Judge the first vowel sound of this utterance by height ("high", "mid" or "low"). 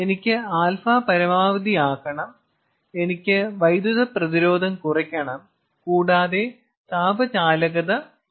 mid